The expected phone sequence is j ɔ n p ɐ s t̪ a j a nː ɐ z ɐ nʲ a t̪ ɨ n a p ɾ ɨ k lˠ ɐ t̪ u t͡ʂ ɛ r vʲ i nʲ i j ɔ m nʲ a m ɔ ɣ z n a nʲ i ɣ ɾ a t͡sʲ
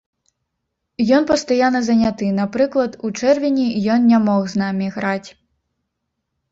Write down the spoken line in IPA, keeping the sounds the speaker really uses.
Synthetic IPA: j ɔ n p ɐ s t̪ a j a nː ɐ z ɐ nʲ a t̪ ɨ n a p ɾ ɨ k lˠ ɐ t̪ u t͡ʂ ɛ r vʲ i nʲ i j ɔ n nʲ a m ɔ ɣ z n a mʲ i ɣ ɾ a t͡sʲ

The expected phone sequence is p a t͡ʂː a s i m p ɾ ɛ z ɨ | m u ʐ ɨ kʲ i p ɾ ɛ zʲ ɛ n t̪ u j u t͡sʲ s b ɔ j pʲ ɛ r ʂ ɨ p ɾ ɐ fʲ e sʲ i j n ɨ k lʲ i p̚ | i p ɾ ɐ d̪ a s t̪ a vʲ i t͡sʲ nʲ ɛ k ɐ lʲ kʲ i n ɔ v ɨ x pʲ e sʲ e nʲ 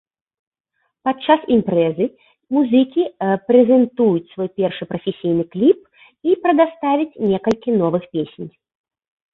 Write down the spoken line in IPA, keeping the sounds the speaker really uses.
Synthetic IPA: p a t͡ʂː a s i m p ɾ ɛ z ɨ | m u z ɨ kʲ i p ɾ ɛ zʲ ɛ n t̪ u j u t͡sʲ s v ɔ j pʲ ɛ r ʂ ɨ p ɾ ɐ fʲ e sʲ i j n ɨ k lʲ i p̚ | i p ɾ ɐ d̪ a s t̪ a vʲ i t͡sʲ nʲ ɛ k ɐ lʲ kʲ i n ɔ v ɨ x pʲ e sʲ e nʲ

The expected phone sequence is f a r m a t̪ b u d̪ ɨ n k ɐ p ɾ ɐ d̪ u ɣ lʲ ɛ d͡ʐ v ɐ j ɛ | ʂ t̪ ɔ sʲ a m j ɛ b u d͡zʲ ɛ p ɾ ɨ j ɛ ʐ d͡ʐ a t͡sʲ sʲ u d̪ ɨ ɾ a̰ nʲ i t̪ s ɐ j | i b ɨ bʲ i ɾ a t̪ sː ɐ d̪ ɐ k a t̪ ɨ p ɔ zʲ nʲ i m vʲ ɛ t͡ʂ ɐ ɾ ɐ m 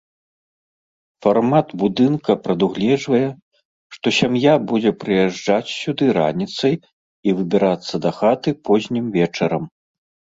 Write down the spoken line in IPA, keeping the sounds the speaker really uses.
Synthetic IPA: f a r m a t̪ b u d̪ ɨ n k ɐ p ɾ ɐ d̪ u ɣ lʲ ɛ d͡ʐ v ɐ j ɛ | ʂ t̪ ɔ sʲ a m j a b u d͡zʲ ɛ p ɾ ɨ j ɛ ʐ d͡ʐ a t͡sʲ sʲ u d̪ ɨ ɾ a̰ nʲ i t̪ s ɐ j | i v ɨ bʲ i ɾ a t̪ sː ɐ d̪ ɐ x a t̪ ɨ p ɔ zʲ nʲ i m vʲ ɛ t͡ʂ ɐ ɾ ɐ m

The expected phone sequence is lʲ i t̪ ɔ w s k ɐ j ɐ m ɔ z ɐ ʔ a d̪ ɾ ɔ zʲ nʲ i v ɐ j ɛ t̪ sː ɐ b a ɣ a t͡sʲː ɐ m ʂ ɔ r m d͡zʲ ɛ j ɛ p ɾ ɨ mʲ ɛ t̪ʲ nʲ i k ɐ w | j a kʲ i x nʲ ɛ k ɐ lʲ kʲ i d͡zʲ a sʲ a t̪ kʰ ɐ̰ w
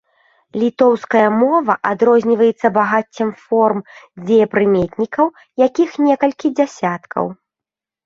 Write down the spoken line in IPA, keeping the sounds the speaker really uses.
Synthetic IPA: lʲ i t̪ ɔ w s k ɐ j ɐ m ɔ v ɐ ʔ a d̪ ɾ ɔ zʲ nʲ i v ɐ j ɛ t̪ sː ɐ b a ɣ a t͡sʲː ɐ m f ɔ r m d͡zʲ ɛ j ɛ p ɾ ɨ mʲ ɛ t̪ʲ nʲ i k ɐ w | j a kʲ i x nʲ ɛ k ɐ lʲ kʲ i d͡zʲ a sʲ a t̪ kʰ ɐ̰ w

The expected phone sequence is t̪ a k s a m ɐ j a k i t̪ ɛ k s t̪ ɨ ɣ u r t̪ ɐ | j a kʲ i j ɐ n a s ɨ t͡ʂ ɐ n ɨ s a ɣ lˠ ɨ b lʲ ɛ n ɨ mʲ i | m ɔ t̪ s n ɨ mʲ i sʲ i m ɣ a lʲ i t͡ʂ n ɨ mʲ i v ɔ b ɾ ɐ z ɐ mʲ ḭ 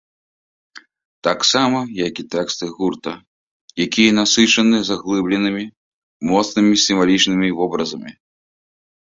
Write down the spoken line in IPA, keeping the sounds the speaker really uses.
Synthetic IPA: t̪ a k s a m ɐ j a k i t̪ ɛ k s t̪ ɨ ɣ u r t̪ ɐ | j a kʲ i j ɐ n a s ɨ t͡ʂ ɐ n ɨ z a ɣ lˠ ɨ b lʲ ɛ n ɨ mʲ i | m ɔ t̪ s n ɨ mʲ i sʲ i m v a lʲ i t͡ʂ n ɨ mʲ i v ɔ b ɾ ɐ z ɐ mʲ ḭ

